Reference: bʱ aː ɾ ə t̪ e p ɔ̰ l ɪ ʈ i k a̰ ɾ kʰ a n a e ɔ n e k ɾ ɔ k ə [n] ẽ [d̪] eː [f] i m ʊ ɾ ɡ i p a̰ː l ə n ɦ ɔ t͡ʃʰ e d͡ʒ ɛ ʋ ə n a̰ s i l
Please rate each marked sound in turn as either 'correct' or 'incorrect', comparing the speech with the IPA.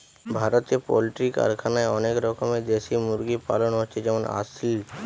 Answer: incorrect: m, correct, incorrect: s

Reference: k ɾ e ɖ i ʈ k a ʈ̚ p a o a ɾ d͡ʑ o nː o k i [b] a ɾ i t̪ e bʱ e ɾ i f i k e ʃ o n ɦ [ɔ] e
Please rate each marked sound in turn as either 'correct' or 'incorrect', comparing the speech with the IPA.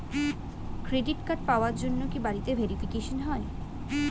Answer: correct, correct

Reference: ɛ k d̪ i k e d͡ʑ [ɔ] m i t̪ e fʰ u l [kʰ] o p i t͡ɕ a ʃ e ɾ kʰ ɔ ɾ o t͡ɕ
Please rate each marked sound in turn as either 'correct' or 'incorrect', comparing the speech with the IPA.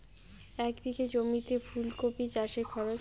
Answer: incorrect: o, incorrect: k

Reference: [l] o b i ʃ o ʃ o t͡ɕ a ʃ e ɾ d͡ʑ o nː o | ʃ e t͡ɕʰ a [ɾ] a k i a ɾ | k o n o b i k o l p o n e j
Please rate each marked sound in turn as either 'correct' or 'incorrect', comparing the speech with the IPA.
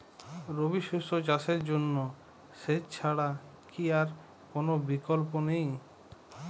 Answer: incorrect: ɾ, incorrect: ɽ

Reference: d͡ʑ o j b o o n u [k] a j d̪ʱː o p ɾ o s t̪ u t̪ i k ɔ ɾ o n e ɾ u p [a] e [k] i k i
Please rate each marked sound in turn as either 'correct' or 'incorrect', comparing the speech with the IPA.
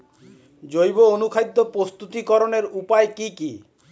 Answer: incorrect: kʰ, correct, correct

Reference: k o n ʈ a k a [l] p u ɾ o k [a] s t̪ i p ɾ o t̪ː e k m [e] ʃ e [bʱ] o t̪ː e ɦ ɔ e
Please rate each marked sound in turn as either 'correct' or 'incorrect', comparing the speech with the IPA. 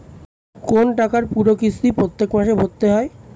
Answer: incorrect: ɾ, incorrect: i, incorrect: a, correct

